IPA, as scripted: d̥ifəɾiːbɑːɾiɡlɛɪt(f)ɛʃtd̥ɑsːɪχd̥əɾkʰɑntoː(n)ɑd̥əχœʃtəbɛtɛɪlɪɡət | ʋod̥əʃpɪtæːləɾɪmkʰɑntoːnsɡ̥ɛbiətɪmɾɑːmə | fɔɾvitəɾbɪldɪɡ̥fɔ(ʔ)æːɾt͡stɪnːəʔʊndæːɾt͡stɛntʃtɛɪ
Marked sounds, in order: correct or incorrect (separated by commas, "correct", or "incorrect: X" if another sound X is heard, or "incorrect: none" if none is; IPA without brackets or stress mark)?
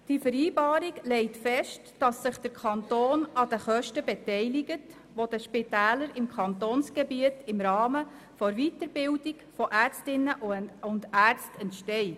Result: correct, correct, correct